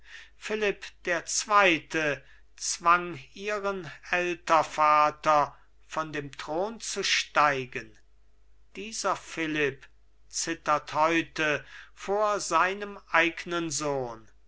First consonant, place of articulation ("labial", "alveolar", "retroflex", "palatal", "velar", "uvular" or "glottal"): labial